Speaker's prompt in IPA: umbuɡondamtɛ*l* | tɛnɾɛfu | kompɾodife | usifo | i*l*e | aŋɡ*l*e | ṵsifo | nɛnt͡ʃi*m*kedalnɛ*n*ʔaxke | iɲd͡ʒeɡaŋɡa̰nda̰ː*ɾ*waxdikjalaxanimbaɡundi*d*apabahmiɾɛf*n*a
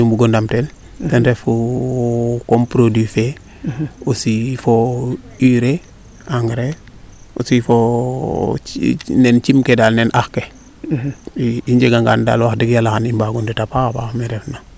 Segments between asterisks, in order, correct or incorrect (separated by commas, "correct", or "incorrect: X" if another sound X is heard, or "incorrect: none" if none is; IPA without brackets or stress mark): correct, incorrect: ɾ, incorrect: ɾ, correct, correct, incorrect: l, incorrect: t, correct